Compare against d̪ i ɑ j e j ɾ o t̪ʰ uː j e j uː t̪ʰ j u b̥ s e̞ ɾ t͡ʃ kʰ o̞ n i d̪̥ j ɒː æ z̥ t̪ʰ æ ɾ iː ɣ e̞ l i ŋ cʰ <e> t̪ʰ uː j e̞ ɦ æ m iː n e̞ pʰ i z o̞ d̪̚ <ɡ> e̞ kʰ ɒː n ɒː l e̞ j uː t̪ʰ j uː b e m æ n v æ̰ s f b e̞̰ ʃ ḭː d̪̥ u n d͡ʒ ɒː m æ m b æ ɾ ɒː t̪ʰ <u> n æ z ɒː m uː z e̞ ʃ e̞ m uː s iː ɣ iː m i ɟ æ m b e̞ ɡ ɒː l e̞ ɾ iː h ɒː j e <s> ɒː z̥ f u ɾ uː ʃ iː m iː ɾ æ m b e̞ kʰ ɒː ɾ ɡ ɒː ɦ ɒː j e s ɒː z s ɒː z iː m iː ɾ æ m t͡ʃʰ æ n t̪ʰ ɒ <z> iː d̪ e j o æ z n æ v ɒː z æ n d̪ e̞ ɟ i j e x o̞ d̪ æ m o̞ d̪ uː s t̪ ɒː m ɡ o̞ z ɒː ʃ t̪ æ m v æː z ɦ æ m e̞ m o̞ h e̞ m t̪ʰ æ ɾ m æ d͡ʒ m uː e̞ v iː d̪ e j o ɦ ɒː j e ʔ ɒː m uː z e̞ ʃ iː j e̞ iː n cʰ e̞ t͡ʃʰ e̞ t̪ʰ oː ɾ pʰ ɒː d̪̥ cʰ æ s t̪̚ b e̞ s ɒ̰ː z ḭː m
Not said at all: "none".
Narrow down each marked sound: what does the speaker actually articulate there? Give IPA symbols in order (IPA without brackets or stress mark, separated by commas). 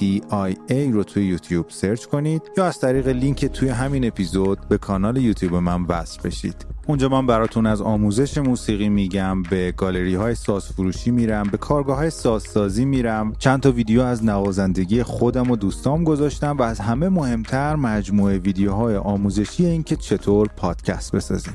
e, b, u, s, v